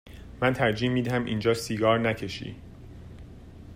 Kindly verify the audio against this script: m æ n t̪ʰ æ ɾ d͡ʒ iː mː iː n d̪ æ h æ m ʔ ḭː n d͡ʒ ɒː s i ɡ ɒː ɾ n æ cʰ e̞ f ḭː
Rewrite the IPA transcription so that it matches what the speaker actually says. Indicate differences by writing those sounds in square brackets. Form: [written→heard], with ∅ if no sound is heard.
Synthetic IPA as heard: m æ n t̪ʰ æ ɾ d͡ʒ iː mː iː [n→∅] d̪ æ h æ m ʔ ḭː n d͡ʒ ɒː s i ɡ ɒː ɾ n æ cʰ e̞ [f→ʃ] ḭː